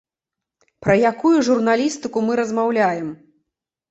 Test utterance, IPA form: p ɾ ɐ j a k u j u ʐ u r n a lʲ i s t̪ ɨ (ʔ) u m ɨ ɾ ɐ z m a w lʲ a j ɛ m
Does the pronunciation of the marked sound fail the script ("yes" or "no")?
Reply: yes